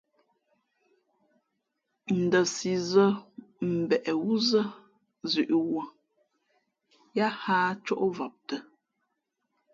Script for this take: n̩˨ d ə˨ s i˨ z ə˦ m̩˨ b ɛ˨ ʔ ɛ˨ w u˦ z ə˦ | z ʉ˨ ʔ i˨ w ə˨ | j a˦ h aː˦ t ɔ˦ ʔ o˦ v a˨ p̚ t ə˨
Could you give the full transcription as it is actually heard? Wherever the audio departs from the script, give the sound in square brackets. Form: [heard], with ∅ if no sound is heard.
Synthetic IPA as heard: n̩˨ d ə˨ s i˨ z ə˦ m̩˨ b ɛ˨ ʔ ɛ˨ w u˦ z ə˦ | z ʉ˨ ʔ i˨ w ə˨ | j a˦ h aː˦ [t͡ʃ] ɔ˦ ʔ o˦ v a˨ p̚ t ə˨